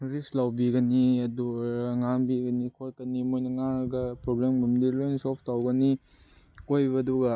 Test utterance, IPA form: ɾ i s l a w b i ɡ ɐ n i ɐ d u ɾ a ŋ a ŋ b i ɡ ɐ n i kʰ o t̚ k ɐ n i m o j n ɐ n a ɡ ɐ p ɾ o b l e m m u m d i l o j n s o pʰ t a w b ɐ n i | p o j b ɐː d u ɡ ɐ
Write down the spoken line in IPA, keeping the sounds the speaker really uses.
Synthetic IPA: ɾ i s l a w b i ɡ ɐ n i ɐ d u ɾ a ŋ a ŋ b i ɡ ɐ n i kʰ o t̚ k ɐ n i m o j n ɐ ŋ a ɡ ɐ p ɾ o b l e m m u m d i l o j n s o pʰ t a w ɡ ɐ n i | k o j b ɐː d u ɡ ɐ